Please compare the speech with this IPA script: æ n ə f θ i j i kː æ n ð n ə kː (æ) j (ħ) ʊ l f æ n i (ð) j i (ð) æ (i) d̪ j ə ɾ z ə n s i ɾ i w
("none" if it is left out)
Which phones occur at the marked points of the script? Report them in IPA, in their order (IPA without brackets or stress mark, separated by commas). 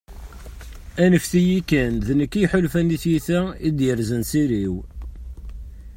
i, ħ, θ, θ, i